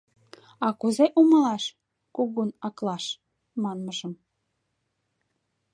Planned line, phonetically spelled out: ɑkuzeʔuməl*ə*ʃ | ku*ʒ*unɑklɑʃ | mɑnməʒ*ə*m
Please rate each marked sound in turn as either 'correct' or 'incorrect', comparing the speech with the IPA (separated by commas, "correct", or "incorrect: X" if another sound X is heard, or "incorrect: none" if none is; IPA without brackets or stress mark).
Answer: incorrect: ɑ, incorrect: ɣ, correct